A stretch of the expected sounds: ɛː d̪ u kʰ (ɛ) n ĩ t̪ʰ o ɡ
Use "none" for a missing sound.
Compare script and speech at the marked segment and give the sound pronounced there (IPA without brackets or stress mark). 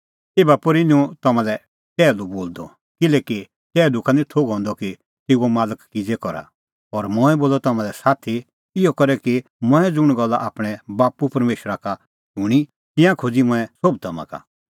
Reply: a